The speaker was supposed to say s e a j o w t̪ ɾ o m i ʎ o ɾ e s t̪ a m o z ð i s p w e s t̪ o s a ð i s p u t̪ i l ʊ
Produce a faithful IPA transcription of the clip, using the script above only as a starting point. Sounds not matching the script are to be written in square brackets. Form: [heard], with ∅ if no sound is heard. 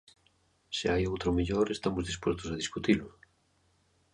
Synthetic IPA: s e a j o w t̪ ɾ o m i ʎ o ɾ e s t̪ a m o z ð i s p w e s t̪ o s a ð i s [k] u t̪ i l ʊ